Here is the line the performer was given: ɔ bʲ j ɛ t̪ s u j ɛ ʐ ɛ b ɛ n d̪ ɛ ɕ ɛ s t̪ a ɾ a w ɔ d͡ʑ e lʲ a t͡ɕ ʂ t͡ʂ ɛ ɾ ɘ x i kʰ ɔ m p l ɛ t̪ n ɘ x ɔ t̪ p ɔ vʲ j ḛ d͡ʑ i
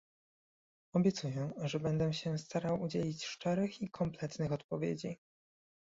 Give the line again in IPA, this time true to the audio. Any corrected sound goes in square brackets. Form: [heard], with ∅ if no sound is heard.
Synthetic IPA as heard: ɔ bʲ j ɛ t̪ s u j ɛ ʐ ɛ b ɛ n d̪ ɛ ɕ ɛ s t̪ a ɾ a w [u] d͡ʑ e lʲ [i] t͡ɕ ʂ t͡ʂ ɛ ɾ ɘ x i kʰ ɔ m p l ɛ t̪ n ɘ x ɔ t̪ p ɔ vʲ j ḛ d͡ʑ i